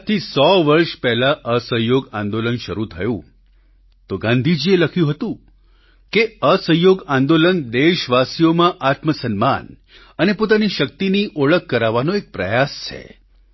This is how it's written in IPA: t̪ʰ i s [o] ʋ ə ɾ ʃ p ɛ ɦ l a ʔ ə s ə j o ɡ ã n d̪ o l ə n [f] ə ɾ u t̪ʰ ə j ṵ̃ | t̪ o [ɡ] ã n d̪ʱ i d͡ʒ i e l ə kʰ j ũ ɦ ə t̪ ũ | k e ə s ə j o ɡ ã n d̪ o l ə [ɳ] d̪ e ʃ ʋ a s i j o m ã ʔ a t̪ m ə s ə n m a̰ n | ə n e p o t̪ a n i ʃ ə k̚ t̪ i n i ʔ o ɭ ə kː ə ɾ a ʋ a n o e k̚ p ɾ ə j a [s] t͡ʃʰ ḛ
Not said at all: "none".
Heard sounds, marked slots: ɔ, ʃ, ɡ, n, s

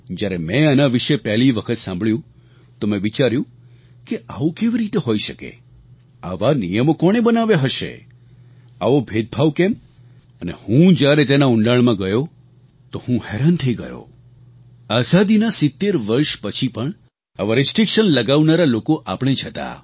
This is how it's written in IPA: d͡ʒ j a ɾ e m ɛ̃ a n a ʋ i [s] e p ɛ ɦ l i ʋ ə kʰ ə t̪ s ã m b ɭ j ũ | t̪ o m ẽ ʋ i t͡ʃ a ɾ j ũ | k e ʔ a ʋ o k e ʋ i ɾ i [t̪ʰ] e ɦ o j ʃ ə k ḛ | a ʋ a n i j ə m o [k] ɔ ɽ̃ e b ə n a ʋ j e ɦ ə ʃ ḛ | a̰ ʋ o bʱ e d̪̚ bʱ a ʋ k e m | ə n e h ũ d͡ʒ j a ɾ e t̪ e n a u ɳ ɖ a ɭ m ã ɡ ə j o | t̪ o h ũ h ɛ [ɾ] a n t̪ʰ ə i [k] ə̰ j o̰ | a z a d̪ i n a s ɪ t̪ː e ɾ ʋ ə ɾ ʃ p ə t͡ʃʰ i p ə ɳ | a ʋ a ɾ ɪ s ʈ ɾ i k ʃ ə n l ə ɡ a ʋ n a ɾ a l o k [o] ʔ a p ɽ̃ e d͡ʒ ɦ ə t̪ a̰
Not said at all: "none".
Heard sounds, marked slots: ʃ, t̪, k, ɾ, ɡ, o

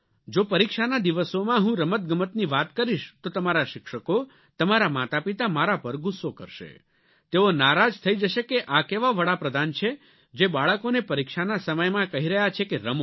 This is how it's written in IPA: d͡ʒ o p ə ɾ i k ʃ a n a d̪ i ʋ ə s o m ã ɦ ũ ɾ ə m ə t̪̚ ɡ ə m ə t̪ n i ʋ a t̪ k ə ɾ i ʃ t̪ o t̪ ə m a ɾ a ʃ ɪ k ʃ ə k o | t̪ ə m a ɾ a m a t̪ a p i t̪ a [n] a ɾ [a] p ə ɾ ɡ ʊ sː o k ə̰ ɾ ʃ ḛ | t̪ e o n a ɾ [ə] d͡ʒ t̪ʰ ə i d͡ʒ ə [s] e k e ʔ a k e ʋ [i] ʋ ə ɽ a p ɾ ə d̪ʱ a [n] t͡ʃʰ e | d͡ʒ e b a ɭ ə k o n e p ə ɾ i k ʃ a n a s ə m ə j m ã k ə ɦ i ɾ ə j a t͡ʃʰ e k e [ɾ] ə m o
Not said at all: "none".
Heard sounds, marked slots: m, a, a, ʃ, a, n, ɾ

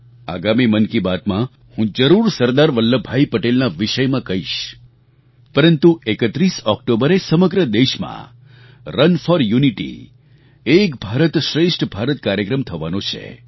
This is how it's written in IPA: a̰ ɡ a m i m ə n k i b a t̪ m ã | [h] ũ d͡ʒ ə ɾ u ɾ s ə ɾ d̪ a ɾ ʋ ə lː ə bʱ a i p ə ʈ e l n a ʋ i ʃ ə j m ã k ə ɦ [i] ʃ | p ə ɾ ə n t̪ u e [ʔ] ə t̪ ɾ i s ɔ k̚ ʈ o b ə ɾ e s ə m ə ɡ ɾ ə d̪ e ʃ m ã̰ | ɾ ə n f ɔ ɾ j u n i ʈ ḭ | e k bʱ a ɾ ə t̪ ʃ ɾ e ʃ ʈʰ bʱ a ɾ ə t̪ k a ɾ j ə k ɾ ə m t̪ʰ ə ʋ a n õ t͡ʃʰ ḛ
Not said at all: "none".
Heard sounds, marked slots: h, i, k

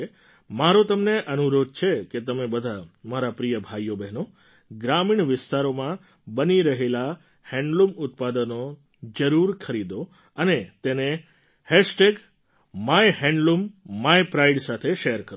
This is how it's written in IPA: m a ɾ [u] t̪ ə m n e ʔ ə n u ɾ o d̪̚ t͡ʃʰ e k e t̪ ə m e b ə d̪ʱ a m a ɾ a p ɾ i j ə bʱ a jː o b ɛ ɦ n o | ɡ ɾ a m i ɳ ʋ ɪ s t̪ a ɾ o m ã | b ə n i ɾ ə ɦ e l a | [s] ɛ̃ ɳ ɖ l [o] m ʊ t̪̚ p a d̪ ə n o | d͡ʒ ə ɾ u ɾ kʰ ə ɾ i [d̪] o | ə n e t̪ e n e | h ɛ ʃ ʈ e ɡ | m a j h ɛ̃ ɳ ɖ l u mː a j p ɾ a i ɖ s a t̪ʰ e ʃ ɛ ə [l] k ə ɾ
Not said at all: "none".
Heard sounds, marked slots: o, h, u, d̪, ɾ

